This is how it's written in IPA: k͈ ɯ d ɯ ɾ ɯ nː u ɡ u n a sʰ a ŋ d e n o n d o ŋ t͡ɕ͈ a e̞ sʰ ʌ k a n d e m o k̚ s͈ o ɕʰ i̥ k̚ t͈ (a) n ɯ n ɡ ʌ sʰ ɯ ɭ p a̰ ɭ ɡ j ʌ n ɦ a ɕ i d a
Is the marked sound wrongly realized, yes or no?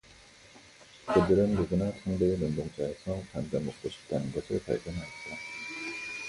no